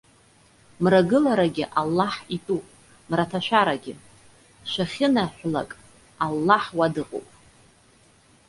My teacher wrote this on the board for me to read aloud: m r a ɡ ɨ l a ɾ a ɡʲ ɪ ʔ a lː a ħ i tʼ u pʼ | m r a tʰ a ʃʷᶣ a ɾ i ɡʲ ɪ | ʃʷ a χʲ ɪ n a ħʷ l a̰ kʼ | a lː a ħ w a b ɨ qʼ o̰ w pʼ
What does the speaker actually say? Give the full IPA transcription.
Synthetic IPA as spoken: m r a ɡ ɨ l a ɾ a ɡʲ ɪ ʔ a lː a ħ i tʼ u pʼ | m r a tʰ a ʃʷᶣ a ɾ a ɡʲ ɪ | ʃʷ a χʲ ɪ n a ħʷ l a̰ kʼ | a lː a ħ w a d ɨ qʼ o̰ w pʼ